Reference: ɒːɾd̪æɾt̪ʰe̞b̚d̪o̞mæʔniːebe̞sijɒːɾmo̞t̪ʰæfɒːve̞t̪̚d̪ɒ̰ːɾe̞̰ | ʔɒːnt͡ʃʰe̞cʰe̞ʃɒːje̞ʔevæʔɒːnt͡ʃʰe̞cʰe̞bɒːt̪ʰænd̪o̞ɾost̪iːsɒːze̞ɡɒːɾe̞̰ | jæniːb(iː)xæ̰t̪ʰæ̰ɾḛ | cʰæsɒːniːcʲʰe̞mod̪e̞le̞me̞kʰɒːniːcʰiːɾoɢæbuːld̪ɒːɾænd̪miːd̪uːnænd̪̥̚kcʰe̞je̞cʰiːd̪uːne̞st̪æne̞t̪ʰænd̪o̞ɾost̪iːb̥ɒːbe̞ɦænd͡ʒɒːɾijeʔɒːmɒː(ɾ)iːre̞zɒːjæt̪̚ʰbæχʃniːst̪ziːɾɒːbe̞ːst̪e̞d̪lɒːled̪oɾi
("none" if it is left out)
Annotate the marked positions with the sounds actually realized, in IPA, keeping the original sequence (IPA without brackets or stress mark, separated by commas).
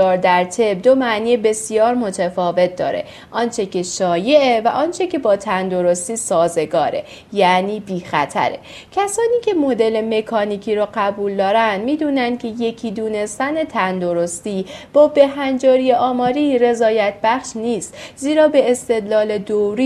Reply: iː, ɾ